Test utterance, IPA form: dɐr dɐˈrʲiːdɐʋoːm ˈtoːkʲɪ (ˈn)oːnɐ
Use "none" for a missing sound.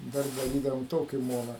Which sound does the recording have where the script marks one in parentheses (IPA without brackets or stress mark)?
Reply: m